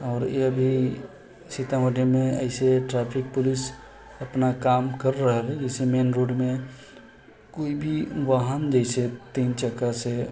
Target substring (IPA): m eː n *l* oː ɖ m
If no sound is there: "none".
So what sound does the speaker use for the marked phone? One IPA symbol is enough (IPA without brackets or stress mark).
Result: ɾ